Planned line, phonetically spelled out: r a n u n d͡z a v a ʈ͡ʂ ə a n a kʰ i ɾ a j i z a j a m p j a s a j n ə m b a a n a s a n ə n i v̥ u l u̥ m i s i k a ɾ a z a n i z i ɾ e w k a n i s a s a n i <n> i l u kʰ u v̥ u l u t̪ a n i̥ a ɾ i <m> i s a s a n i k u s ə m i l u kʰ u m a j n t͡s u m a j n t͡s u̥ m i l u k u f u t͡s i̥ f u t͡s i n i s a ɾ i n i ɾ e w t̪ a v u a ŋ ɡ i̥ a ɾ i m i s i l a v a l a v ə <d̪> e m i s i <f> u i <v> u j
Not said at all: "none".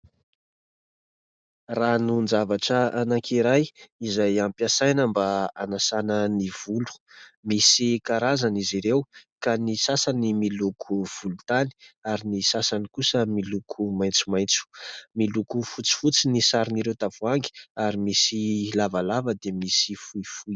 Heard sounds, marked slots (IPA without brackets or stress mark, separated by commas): m, n, d̪, f, f